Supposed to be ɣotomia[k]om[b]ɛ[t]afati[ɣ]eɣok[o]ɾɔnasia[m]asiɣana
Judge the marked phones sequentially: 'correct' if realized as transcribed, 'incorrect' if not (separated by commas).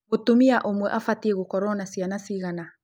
incorrect, incorrect, incorrect, incorrect, incorrect, incorrect